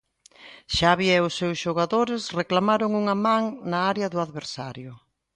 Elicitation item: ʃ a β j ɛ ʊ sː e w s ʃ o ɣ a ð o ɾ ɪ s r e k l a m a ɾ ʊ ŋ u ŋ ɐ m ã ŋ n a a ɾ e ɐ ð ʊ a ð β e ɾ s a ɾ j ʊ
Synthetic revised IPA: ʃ a β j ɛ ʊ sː e w s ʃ o ɣ a ð o ɾ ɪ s r e k l a m a ɾ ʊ ŋ u ŋ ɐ m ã ŋ n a a ɾ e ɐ ð ʊ a ð β e ɾ s a ɾ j ʊ